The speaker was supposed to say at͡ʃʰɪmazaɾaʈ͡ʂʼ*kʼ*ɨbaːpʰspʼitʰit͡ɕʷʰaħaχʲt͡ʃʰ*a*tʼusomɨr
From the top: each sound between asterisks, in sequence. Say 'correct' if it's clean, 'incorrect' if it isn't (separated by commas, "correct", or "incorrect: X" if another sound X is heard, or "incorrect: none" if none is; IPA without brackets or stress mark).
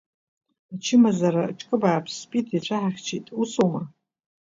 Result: correct, incorrect: i